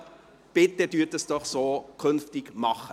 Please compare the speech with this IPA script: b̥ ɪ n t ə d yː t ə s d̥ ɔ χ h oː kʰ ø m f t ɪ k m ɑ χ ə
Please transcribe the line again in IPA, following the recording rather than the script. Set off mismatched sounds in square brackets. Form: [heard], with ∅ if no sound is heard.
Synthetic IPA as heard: b̥ ɪ [∅] t ə d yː t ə s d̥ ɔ χ [s] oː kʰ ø [n] f t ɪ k m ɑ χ ə